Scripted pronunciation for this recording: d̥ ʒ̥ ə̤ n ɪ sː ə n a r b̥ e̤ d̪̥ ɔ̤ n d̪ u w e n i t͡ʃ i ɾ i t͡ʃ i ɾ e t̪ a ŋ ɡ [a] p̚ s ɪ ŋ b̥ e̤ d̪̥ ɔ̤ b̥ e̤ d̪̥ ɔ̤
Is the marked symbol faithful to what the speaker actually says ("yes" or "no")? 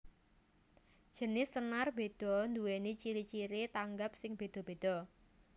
yes